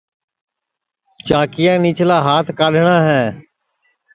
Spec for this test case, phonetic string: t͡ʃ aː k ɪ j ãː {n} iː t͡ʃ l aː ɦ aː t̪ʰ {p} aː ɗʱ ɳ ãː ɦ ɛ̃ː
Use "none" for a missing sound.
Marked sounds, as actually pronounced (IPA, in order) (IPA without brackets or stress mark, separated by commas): n, k